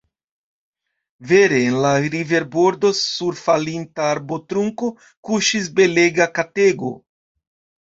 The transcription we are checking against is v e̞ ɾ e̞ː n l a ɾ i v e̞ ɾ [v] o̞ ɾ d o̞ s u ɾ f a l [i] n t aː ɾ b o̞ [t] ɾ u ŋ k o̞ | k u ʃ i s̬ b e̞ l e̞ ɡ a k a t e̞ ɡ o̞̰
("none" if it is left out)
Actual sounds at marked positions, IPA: b, i, t

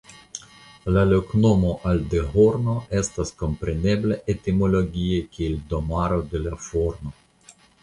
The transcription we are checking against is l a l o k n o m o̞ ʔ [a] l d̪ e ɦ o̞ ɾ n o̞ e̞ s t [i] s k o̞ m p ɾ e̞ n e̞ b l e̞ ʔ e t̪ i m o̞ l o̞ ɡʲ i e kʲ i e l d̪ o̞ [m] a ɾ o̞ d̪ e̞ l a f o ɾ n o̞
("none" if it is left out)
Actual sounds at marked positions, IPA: a, a, m

